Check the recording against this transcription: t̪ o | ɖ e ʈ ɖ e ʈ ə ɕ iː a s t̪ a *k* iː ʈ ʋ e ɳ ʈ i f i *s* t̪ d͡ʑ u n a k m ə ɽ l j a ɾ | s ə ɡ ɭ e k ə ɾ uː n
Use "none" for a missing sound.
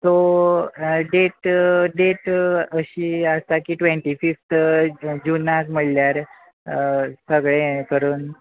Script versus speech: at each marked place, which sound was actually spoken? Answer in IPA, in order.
k, f

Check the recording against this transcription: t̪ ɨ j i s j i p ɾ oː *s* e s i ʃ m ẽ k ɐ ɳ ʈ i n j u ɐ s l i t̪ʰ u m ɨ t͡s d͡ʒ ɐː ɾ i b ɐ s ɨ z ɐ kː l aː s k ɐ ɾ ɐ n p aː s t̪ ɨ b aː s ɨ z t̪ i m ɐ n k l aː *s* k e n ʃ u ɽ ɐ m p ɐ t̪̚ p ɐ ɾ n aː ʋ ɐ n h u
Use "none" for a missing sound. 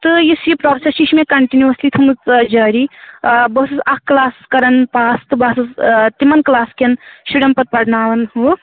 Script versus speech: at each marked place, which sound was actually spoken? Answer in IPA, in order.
s, s

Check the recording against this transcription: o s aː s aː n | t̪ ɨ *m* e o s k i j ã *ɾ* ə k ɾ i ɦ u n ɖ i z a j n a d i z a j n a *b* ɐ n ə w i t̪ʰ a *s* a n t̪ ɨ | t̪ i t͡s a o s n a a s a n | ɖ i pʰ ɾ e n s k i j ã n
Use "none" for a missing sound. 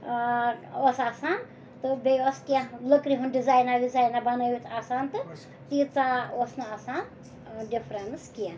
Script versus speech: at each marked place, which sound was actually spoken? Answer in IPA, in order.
b, l, b, s

